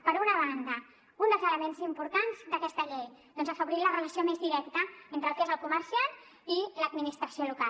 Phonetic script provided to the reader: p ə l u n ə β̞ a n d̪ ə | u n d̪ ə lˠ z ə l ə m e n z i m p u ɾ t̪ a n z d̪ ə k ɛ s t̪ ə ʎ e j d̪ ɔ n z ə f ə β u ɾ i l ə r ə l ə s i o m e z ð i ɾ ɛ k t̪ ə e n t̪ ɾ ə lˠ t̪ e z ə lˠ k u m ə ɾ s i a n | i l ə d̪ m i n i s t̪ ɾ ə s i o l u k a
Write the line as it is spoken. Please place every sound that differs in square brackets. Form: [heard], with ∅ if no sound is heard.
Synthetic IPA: p ə [ɾ] u n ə β̞ a n d̪ ə | u n d̪ ə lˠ z ə l ə m e n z i m p u ɾ t̪ a n z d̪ ə k ɛ s t̪ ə ʎ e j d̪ ɔ n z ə f ə β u ɾ i l ə r ə l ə s i o m e z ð i ɾ ɛ k t̪ ə e n t̪ ɾ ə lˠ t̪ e z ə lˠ k u m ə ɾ s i a n | i l ə d̪ m i n i s t̪ ɾ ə s i o l u k a

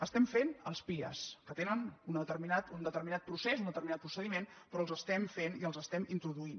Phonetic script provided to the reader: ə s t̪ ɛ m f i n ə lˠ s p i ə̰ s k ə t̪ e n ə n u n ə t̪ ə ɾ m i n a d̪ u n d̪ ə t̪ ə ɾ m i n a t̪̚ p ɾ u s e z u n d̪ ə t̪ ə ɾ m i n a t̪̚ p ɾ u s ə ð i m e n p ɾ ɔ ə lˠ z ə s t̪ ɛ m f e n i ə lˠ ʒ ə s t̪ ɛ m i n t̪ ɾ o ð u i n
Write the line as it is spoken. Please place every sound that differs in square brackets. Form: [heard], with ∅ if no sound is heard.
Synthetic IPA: ə s t̪ ɛ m f [e] n ə lˠ s p i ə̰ s k ə t̪ e n ə n u n ə t̪ ə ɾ m i n a [t̪] u n d̪ ə t̪ ə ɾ m i n a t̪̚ p ɾ u s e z u n d̪ ə t̪ ə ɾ m i n a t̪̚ p ɾ u s ə ð i m e n p ɾ ɔ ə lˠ z ə s t̪ ɛ m f e n i ə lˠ [z] ə s t̪ ɛ m i n t̪ ɾ [u] ð u i n

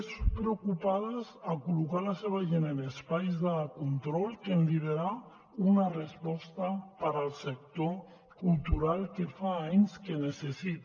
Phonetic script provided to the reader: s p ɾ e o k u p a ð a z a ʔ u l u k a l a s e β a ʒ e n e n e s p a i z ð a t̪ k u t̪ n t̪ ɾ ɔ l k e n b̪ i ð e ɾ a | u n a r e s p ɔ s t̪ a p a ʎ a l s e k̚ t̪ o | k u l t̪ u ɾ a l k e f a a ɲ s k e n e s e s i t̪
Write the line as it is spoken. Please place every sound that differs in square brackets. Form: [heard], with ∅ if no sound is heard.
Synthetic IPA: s p ɾ e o k u p a ð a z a [k] u l u k a l a s e β a ʒ e n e n e s p a [j] z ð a [∅] k u [∅] n t̪ ɾ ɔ l k e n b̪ i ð e ɾ a | u n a r e s p ɔ s t̪ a p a [ɾ] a l s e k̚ t̪ o | k u l t̪ u ɾ a l k e f a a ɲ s k e n e s e s i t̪

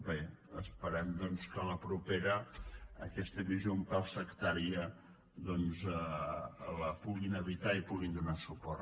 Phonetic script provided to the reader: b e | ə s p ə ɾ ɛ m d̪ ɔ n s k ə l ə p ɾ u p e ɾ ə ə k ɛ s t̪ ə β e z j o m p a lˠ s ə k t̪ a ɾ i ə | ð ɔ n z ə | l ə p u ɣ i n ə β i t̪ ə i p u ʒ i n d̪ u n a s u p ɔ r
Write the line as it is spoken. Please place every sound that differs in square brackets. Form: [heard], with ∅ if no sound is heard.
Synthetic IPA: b e | ə s p ə ɾ ɛ m d̪ ɔ n s k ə l ə p ɾ u p e ɾ ə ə k ɛ s t̪ ə β [i] z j o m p a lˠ s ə k t̪ a ɾ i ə | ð ɔ n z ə | l ə p u ɣ i n ə β i t̪ [a] i p u [ɣ] i n d̪ u n a s u p ɔ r

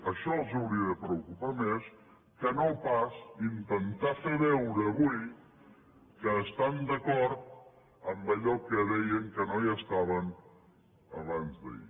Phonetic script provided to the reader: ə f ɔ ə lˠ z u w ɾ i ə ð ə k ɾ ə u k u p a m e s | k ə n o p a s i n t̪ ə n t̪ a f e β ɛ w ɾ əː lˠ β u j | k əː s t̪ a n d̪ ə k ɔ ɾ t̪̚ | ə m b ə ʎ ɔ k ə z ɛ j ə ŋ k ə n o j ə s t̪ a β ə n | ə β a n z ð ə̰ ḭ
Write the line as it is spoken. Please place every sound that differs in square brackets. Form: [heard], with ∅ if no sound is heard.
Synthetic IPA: ə [ʃ] ɔ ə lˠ z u w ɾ i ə ð ə [p] ɾ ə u k u p a m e s | k ə n o p a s i n t̪ ə n t̪ a f e β ɛ w ɾ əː [∅] β u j | k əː s t̪ a n d̪ ə k ɔ ɾ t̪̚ | ə m b ə ʎ ɔ k ə [ð] ɛ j ə ŋ k ə n o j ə s t̪ a β ə n | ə β a n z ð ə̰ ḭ

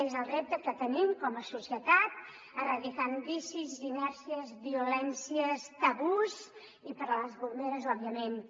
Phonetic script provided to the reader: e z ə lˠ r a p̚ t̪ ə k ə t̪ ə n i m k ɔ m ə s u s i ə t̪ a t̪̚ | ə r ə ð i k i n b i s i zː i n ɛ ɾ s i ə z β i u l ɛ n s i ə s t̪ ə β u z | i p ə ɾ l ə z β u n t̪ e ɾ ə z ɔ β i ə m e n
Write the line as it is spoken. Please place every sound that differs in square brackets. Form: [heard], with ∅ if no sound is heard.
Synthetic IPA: e z ə lˠ r [e] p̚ t̪ ə k ə t̪ ə n i m k ɔ m ə s u s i ə t̪ a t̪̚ | ə r ə ð i k [a] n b i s i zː i n ɛ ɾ s i ə z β i u l ɛ n s i ə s t̪ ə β u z | i p ə ɾ l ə z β u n [d̪] e ɾ ə z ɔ β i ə m e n

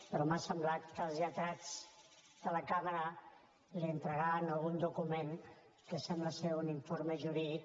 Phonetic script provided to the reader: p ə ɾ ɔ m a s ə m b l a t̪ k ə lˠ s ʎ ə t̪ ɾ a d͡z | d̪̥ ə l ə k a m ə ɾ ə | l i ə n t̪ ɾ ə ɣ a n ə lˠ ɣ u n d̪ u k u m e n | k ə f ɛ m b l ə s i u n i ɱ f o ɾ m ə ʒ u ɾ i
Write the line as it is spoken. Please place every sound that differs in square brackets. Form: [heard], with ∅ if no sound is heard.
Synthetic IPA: p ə ɾ ɔ m a s ə m b l a t̪ k ə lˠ [z] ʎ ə t̪ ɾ a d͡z | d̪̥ ə l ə k a m ə ɾ ə | l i ə n t̪ ɾ ə ɣ a n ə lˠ ɣ u n d̪ u k u m e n | k ə [s] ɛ m b l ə s [e] u n i ɱ f o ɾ m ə ʒ u ɾ i

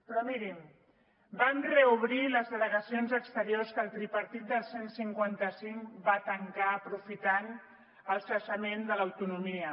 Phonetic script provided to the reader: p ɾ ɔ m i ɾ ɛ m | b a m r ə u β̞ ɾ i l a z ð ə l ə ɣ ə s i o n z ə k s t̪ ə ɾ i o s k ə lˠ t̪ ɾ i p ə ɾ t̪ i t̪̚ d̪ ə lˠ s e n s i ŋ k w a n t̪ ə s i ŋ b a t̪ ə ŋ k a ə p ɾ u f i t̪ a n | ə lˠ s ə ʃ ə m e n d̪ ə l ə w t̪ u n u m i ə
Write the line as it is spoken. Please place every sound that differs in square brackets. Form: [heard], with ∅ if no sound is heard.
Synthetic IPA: p ɾ ɔ m i ɾ [i] m | b a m r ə u β̞ ɾ i l [ə] z ð ə l ə ɣ ə s i o n z ə k s t̪ ə ɾ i o s k ə lˠ t̪ ɾ i p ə ɾ t̪ i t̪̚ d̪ ə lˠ s e n s i ŋ k w a n t̪ ə s i ŋ b a t̪ ə ŋ k a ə p ɾ u f i t̪ a n | ə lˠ s ə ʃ ə m e n d̪ ə l ə w t̪ u n u m i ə

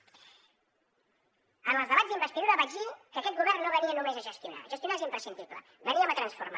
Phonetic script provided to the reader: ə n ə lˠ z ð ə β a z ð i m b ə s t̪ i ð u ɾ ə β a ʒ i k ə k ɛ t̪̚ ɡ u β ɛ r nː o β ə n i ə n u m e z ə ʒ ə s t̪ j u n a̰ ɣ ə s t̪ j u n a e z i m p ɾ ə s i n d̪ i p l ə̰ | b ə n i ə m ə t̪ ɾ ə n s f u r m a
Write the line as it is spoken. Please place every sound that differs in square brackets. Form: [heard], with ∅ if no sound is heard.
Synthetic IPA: ə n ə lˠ z ð ə β a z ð i m b ə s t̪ i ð u ɾ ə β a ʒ i k ə k ɛ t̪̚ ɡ u β ɛ r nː o β ə n i ə n u m e z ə ʒ ə s t̪ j u n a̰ [ʒ] ə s t̪ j u n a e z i m p ɾ ə s i n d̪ i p l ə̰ | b ə n i ə m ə t̪ ɾ ə n s f u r m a

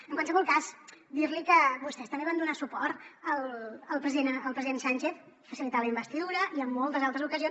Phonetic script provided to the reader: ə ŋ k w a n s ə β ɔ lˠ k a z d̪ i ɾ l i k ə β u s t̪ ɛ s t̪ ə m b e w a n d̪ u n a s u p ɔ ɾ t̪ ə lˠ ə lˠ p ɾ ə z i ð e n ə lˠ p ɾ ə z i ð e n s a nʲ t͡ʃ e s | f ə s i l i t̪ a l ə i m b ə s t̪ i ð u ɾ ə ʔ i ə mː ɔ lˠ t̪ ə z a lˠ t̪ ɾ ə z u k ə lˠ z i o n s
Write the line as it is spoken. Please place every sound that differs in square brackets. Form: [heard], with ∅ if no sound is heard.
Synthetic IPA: ə ŋ k w a n s ə β ɔ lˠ k a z d̪ i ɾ l i k ə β u s t̪ ɛ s t̪ ə m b e [β] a n d̪ u n a s u p ɔ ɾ t̪ ə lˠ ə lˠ p ɾ ə z i ð e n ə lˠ p ɾ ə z i ð e n s a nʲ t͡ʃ e [θ] | f ə s i l i t̪ a l ə i m b ə s t̪ i ð u ɾ ə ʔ i ə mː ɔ lˠ t̪ ə z a lˠ t̪ ɾ ə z u k ə [∅] z i o n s

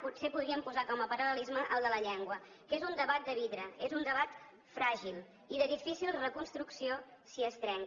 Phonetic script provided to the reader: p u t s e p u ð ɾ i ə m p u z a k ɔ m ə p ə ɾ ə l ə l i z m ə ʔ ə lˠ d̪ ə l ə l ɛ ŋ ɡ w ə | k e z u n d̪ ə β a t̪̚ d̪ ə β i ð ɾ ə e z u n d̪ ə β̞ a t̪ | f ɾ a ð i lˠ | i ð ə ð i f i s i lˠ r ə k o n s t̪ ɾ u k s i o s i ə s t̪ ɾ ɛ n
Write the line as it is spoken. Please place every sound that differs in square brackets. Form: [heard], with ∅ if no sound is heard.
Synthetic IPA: p u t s e p u ð ɾ i ə m p u z a k ɔ m ə p ə ɾ ə l ə l i z m ə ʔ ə lˠ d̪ ə l ə [ʎ] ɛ ŋ ɡ w ə | k e z u n d̪ ə β a t̪̚ d̪ ə β i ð ɾ ə e z u n d̪ ə β̞ a t̪ | f ɾ a [ʒ] i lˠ | i ð ə ð i f i s i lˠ r ə k [u] n s t̪ ɾ u k s i o s i ə s t̪ ɾ ɛ [ŋ]

